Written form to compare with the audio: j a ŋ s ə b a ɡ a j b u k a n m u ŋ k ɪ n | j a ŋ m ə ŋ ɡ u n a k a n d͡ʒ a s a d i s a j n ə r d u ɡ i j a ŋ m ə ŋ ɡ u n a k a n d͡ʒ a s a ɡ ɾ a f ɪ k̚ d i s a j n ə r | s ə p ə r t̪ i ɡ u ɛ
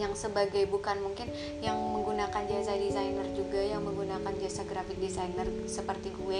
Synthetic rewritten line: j a ŋ s ə b a ɡ a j b u k a n m u ŋ k ɪ n | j a ŋ m ə ŋ ɡ u n a k a n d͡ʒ a s a d i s a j n ə r d͡ʒ u ɡ a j a ŋ m ə ŋ ɡ u n a k a n d͡ʒ a s a ɡ ɾ a f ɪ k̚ d i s a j n ə r | s ə p ə r t̪ i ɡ u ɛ